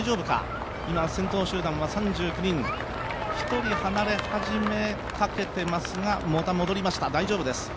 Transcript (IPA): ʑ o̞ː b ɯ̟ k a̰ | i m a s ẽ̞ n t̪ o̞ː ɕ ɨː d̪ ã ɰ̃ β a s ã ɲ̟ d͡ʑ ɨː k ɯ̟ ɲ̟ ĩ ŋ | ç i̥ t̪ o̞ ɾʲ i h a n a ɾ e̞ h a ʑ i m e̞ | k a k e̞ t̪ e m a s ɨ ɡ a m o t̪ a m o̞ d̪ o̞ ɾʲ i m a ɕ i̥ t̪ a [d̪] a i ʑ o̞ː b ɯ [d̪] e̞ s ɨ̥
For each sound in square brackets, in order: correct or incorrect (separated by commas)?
correct, correct